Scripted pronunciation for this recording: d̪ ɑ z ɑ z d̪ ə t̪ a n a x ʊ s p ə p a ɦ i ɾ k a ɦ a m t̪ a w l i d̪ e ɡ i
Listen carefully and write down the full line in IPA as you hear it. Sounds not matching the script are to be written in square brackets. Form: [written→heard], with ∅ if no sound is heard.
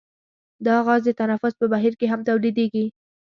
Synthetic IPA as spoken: d̪ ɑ [z→ɣ] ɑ z d̪ ə t̪ a n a [x→f] ʊ s p ə [p→b] a ɦ i ɾ k [a→e] ɦ a m t̪ a w l i d̪ e ɡ i